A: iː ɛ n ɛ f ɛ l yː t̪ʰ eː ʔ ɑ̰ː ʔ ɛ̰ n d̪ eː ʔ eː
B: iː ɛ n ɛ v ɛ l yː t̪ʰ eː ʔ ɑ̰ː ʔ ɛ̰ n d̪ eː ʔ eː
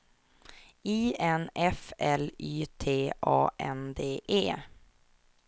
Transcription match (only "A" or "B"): A